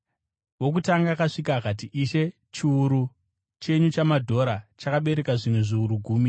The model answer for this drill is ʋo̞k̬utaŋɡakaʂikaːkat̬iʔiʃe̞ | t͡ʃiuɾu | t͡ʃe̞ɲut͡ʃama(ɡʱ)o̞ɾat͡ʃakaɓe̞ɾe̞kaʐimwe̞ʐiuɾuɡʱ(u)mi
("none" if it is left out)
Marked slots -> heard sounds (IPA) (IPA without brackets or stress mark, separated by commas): dʱ, uː